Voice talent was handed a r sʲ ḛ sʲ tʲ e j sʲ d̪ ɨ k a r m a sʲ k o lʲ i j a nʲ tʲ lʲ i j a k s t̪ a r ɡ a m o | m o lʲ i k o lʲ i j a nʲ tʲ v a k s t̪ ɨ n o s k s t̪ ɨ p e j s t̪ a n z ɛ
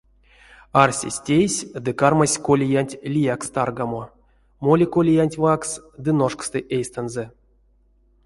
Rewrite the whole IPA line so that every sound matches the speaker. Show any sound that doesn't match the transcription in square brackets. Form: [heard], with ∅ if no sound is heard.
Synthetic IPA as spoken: a r sʲ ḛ sʲ tʲ e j sʲ d̪ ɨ k a r m a sʲ k o lʲ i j a nʲ tʲ lʲ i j a k s t̪ a r ɡ a m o | m o lʲ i k o lʲ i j a nʲ tʲ v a k s [d̪] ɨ n o [ʂ] k s t̪ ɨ [ʔ] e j s t̪ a n z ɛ